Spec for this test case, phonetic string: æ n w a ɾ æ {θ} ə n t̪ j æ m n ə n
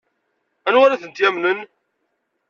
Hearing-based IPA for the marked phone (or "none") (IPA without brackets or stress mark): θ